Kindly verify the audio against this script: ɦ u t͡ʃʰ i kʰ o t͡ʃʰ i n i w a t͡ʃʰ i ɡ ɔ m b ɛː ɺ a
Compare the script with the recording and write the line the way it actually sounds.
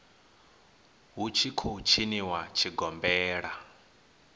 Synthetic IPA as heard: ɦ u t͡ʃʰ i kʰ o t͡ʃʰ i n i w a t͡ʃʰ i ɡ ɔ m b ɛː ɺ a